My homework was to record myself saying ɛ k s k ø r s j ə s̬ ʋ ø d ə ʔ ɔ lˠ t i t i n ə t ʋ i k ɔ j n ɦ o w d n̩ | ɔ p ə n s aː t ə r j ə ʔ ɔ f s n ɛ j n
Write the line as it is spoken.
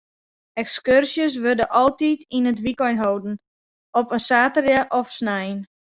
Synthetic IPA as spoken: ɛ k s k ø r s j ə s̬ ʋ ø d ə ʔ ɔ lˠ t i t i n ə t ʋ i k ɔ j n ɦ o w d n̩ | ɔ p ə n s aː t ə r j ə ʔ ɔ f s n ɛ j n